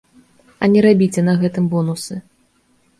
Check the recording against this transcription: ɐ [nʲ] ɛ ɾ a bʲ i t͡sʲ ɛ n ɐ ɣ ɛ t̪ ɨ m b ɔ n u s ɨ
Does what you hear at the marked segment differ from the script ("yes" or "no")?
no